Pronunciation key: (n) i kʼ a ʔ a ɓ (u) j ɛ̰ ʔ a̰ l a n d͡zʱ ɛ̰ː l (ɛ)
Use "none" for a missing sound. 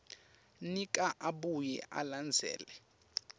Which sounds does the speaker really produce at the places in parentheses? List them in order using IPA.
n, u, ɛ

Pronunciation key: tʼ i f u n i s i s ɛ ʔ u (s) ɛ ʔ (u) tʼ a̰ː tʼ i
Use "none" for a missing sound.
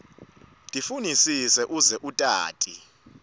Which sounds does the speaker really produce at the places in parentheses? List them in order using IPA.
z, u

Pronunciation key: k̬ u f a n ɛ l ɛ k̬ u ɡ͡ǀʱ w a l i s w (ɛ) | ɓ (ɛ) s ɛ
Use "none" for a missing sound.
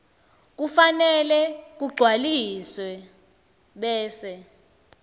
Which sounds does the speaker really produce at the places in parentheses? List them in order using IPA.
ɛ, ɛː

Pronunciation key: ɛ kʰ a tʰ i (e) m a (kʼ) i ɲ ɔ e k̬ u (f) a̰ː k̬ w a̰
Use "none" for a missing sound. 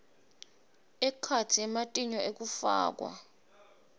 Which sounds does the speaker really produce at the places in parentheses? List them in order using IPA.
ɛ, tʼ, f

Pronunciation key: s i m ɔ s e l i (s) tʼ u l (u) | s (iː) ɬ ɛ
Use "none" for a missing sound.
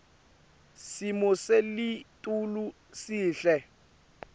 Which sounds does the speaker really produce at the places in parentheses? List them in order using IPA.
none, u, iː

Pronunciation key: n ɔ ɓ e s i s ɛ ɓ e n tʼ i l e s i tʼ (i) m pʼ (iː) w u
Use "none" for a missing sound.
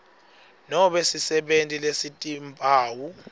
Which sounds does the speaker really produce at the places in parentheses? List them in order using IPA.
i, aː

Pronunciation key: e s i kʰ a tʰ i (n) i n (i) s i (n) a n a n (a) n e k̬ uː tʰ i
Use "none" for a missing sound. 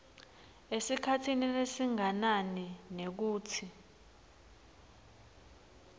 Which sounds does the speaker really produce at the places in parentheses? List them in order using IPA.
n, e, ŋ, i

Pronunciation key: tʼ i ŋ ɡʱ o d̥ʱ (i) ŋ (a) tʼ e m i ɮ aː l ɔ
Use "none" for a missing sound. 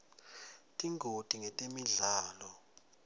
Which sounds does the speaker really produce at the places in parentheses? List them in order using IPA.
i, ɛ

